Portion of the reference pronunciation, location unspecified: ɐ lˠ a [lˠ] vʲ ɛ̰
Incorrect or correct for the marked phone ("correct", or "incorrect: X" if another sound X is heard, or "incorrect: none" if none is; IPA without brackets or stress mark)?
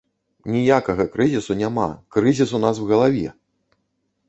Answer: incorrect: none